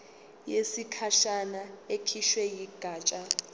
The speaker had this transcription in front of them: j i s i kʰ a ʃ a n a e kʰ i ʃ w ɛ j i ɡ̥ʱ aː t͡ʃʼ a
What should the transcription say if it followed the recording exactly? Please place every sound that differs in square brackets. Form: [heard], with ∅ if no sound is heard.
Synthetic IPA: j [e] s i kʰ a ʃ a n a e kʰ i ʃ w ɛ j i ɡ̥ʱ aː t͡ʃʼ a